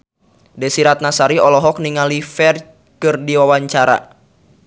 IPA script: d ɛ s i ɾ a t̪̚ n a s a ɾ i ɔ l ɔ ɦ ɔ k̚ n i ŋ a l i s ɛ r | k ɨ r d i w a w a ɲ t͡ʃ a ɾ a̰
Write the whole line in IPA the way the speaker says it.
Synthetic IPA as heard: d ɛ s i ɾ a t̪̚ n a s a ɾ i ɔ l ɔ ɦ ɔ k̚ n i ŋ a l i f ɛ r | k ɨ r d i w a w a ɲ t͡ʃ a ɾ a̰